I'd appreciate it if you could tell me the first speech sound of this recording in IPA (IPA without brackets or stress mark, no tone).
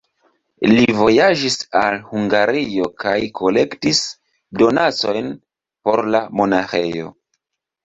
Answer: l